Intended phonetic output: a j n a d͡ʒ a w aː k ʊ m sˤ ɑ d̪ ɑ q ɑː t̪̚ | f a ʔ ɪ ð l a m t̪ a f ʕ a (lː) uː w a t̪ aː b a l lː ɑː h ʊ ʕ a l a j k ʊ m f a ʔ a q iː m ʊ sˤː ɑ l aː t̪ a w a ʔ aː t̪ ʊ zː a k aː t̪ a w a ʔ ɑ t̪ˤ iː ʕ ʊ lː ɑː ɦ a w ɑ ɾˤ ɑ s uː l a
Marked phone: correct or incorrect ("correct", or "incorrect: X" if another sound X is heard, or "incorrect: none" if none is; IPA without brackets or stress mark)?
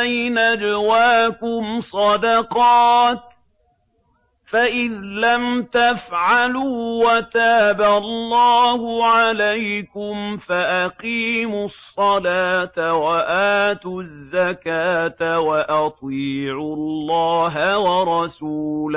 incorrect: l